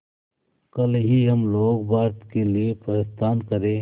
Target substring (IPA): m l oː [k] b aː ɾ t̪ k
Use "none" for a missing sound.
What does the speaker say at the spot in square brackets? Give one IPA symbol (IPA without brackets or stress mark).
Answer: ɡ